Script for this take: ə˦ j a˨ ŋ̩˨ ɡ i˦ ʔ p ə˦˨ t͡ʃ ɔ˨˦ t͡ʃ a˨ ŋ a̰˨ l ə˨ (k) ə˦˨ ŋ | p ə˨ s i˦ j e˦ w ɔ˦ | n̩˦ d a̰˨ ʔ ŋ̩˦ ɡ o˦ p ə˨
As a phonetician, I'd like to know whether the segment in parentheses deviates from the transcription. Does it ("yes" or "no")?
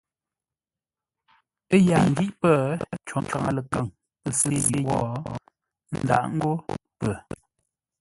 no